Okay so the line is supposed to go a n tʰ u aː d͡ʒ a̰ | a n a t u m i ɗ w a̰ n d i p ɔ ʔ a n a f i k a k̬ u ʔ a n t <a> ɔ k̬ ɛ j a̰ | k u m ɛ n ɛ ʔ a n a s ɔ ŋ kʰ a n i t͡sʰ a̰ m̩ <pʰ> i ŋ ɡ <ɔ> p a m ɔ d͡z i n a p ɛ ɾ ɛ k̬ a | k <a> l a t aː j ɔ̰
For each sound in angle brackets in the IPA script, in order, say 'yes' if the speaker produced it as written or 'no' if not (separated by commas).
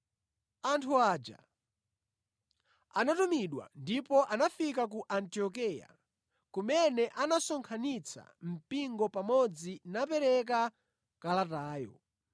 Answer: no, no, yes, yes